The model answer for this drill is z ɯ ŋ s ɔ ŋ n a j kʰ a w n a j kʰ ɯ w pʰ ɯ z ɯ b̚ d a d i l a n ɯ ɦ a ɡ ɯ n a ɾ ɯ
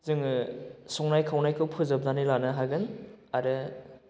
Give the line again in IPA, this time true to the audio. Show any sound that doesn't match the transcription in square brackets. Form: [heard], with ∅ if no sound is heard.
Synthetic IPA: z ɯ ŋ s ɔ ŋ n a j kʰ a w n a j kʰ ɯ w pʰ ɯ z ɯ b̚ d a [n] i l a n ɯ ɦ a ɡ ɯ n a ɾ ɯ